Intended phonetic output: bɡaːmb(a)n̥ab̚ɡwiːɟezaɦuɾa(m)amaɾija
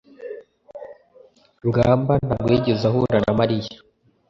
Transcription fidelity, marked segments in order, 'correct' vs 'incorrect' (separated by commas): correct, incorrect